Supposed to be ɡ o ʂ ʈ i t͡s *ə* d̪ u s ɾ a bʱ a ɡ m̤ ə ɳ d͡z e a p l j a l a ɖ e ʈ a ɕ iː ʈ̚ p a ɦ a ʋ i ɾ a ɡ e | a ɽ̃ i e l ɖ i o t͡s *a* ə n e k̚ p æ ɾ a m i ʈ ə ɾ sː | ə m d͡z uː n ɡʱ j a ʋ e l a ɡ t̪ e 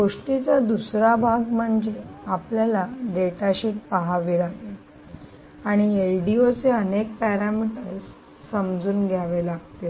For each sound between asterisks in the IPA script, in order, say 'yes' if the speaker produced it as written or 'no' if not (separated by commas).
no, no